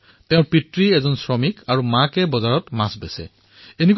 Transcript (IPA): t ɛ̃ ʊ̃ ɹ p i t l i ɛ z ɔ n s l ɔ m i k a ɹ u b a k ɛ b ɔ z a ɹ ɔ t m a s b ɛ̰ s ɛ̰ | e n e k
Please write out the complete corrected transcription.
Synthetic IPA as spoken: t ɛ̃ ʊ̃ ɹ p i t ɹ i ɛ z ɔ n s ɹ ɔ m i k a ɹ u m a k ɛ b ɔ z a ɹ ɔ t m a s b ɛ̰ s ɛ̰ | e n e k